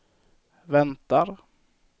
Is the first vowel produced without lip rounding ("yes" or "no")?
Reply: yes